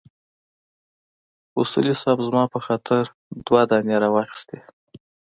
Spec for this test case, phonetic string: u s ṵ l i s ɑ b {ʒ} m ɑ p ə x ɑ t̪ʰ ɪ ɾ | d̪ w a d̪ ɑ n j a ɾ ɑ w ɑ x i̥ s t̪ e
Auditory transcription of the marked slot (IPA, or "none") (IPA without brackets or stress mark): z